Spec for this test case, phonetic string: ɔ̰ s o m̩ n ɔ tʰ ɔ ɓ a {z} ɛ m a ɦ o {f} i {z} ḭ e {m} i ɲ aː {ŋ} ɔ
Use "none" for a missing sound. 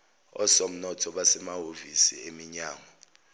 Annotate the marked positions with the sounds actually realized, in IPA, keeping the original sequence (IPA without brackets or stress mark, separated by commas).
s, v, s, m, ŋ